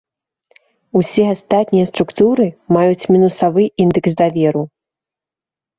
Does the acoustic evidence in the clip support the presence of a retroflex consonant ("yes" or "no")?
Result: no